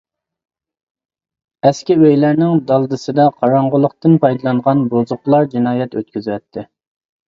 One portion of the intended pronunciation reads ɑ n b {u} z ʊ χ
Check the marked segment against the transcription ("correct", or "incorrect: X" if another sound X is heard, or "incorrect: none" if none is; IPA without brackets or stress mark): incorrect: o